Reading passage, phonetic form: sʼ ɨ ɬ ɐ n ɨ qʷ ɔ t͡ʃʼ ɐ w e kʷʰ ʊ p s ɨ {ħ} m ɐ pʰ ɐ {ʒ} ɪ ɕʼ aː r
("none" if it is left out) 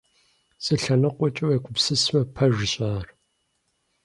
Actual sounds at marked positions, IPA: s, ʒ

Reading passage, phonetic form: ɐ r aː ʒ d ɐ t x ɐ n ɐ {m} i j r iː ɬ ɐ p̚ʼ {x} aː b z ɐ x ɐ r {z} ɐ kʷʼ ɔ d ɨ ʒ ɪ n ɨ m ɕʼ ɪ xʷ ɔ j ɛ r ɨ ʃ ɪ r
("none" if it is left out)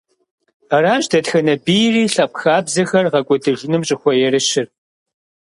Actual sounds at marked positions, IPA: b, x, ʁ

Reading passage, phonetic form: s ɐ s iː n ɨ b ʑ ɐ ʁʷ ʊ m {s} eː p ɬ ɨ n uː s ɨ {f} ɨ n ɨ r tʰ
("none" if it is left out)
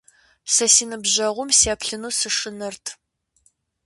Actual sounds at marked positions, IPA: s, ʂ

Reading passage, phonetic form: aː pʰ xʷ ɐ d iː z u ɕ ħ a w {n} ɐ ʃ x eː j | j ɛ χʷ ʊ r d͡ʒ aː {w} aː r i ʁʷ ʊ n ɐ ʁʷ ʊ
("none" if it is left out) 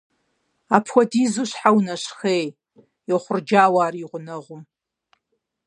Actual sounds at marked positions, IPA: n, w

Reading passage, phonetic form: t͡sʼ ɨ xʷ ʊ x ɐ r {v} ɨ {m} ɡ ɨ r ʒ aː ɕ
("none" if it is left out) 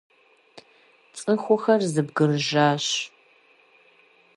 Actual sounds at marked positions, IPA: z, b

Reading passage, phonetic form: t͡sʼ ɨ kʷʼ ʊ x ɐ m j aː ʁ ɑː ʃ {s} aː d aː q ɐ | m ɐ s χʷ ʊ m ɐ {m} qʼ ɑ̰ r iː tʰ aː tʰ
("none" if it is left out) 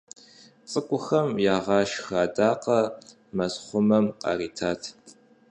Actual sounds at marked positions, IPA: x, m

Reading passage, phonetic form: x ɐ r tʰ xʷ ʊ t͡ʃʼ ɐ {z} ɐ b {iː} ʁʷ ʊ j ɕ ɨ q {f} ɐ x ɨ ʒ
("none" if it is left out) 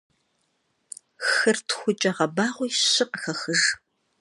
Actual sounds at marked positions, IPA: ʁ, aː, x

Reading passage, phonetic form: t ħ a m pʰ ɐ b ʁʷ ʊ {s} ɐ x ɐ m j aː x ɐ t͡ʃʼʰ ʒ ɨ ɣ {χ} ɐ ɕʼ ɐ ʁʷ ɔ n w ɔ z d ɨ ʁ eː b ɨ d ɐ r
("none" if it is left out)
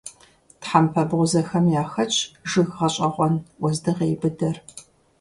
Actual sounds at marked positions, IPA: z, ʁ

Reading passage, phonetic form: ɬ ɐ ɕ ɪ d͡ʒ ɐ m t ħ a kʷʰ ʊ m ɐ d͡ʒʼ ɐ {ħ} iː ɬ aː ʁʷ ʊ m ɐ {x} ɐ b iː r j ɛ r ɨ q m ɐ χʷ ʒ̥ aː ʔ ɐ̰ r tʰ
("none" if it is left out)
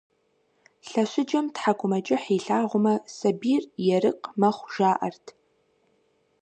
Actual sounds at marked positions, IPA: ħ, s

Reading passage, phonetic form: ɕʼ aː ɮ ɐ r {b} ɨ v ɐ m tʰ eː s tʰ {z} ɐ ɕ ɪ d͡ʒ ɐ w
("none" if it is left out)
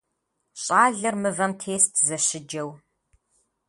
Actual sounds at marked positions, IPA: m, z

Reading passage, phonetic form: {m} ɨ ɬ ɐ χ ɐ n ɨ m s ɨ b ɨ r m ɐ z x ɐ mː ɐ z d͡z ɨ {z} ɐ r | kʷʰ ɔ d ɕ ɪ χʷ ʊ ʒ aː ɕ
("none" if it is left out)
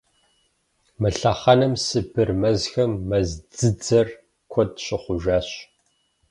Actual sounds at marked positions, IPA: m, d͡z

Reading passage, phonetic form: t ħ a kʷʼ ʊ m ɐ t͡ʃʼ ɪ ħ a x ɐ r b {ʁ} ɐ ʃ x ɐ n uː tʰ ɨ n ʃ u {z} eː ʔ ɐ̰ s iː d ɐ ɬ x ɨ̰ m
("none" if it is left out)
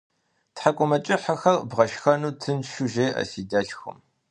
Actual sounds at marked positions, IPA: ʁ, ʒ

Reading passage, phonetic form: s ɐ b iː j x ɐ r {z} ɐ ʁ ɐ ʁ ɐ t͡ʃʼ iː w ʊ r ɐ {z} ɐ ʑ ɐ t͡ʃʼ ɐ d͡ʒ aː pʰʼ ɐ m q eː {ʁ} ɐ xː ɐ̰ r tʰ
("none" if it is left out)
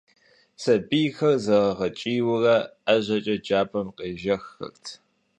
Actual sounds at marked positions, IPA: z, none, ʒ

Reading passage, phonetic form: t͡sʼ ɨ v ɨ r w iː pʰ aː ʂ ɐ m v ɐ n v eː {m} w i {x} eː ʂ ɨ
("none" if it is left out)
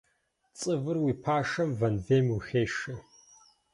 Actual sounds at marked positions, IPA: m, x

